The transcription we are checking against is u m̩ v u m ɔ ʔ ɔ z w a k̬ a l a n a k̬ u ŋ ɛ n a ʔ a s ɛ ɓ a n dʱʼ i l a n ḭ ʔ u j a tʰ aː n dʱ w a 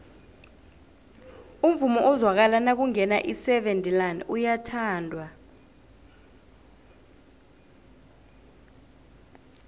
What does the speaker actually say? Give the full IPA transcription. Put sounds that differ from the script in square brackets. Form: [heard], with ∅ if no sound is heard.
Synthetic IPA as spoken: u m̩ v u m ɔ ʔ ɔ z w a k̬ a l a n a k̬ u ŋ ɛ n a ʔ [i] s ɛ ɓ [e] n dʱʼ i l a n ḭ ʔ u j a tʰ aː n dʱ w a

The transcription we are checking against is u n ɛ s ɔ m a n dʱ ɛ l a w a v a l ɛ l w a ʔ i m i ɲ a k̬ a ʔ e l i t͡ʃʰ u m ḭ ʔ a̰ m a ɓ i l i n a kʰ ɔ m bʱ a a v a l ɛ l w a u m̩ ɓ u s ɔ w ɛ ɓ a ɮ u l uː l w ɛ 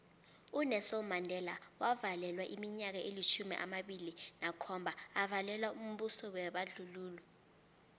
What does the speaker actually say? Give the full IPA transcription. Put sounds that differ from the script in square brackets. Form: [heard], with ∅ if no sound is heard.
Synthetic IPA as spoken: u n ɛ s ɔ m a n dʱ ɛ l a w a v a l ɛ l w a ʔ i m i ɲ a k̬ a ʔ e l i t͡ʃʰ u m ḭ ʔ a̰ m a ɓ i l i n a kʰ ɔ m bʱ a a v a l ɛ l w a u m̩ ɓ u s ɔ w ɛ ɓ a ɮ u l uː l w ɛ

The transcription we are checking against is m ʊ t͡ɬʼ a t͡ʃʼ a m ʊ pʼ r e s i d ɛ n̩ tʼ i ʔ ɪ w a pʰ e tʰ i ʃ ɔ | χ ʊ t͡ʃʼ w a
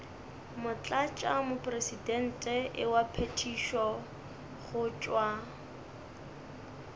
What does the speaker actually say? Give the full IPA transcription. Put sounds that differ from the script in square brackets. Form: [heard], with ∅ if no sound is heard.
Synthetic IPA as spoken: m ʊ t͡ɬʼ a t͡ʃʼ a m ʊ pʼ r e s i d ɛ n̩ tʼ [ɛ] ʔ ɪ w a pʰ e tʰ i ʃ ɔ | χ ʊ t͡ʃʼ w a

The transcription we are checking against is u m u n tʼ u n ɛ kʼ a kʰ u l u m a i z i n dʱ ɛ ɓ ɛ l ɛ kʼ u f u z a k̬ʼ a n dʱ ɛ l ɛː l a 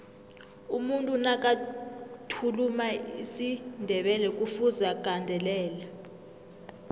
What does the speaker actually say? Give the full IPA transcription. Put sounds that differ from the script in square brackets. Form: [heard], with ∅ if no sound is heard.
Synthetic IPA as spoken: u m u n tʼ u n [a] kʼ a [tʰ] u l u m a i [s] i n dʱ ɛ ɓ ɛ l ɛ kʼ u f u z a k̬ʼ a n dʱ ɛ l ɛː l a

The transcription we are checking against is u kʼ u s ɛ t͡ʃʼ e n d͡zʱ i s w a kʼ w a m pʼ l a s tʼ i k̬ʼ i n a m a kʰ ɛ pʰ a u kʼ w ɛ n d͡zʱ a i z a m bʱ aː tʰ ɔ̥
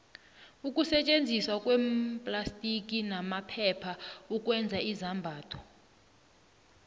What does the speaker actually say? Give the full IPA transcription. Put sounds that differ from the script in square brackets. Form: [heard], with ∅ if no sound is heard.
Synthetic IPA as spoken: u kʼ u s ɛ t͡ʃʼ e n d͡zʱ i s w a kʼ w [ɛ] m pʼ l a s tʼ i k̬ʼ i n a m a [pʰ] ɛ pʰ a u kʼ w ɛ n d͡zʱ a i z a m bʱ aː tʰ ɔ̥

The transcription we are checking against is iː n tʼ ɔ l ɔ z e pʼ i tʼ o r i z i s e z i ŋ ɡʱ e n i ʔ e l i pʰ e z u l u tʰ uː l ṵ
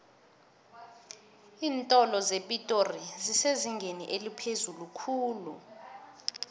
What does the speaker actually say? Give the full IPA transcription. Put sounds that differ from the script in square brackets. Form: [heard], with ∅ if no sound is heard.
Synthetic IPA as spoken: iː n tʼ ɔ l ɔ z e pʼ i tʼ o r i z i s e z i ŋ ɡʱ e n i ʔ e l i pʰ e z u l u [kʰ] uː l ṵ

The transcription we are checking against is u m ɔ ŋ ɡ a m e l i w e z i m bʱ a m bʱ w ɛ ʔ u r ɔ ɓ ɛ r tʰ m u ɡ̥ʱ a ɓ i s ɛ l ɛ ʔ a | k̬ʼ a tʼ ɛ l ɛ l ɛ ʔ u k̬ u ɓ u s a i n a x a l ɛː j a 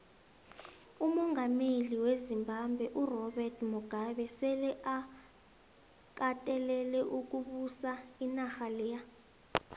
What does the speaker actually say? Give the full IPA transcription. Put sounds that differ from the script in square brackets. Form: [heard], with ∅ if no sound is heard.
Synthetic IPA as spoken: u m ɔ ŋ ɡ a m e l i w e z i m bʱ a m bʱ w ɛ ʔ u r ɔ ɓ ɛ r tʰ m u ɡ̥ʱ a ɓ [ɛ] s ɛ l ɛ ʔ a | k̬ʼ a tʼ ɛ l ɛ l ɛ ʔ u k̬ u ɓ u s a i n a x a l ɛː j a

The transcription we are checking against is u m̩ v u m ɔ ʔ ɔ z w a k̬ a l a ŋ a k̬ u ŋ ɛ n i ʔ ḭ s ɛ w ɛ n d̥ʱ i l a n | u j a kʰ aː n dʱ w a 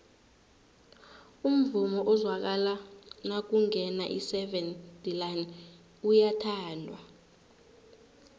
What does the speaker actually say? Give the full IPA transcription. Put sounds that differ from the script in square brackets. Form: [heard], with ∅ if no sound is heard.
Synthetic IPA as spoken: u m̩ v u m ɔ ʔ ɔ z w a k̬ a l a [n] a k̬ u ŋ ɛ n [a] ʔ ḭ s ɛ [v] ɛ n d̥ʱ i l a n | u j a [tʰ] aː n dʱ w a

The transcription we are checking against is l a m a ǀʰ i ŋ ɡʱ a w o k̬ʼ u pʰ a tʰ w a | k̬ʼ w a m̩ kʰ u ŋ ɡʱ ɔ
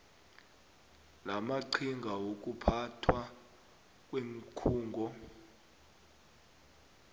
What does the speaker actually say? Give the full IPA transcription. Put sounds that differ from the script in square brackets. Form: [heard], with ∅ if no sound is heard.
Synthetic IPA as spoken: l a m a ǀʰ i ŋ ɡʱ a w o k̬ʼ u pʰ a tʰ w a | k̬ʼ w [e] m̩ kʰ [uː] ŋ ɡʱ ɔ

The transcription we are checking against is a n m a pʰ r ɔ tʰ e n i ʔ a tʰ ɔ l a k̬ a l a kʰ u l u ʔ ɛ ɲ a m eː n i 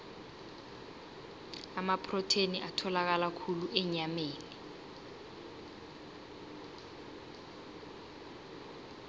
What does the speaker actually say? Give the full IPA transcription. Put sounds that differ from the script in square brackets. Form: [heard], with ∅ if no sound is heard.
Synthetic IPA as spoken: a [∅] m a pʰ r ɔ tʰ e n i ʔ a tʰ ɔ l a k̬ a l a kʰ u l u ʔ ɛ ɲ a m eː n i

